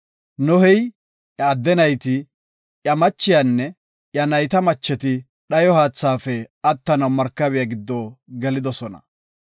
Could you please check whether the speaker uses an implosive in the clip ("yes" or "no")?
yes